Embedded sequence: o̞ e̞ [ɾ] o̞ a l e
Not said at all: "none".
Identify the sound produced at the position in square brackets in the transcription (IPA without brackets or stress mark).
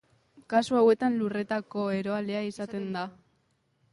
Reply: ɾ